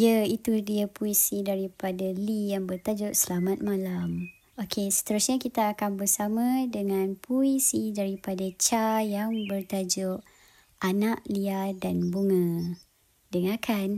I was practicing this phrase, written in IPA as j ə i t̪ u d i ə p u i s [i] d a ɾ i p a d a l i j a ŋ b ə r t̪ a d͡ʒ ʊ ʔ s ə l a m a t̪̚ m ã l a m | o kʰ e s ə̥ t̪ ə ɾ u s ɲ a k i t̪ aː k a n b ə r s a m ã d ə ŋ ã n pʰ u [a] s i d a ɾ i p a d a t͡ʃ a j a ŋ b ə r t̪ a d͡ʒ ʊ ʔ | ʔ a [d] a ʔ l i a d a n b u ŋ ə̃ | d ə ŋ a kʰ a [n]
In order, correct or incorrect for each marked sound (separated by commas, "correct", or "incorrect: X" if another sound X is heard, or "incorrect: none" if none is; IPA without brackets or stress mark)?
correct, incorrect: i, incorrect: n, correct